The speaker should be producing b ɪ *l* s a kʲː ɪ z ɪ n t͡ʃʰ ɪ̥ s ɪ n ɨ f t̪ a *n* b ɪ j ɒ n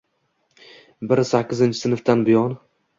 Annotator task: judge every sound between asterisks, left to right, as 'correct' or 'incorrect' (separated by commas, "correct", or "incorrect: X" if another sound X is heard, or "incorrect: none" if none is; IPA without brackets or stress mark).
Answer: incorrect: ɾ, correct